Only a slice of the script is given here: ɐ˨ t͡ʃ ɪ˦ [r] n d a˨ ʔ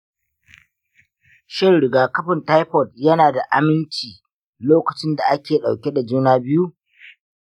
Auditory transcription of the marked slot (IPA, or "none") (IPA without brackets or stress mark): none